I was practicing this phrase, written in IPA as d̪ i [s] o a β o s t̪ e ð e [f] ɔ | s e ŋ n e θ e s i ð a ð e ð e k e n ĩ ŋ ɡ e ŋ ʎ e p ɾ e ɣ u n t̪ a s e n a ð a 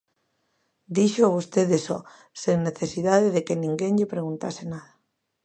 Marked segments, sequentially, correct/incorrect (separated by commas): incorrect, incorrect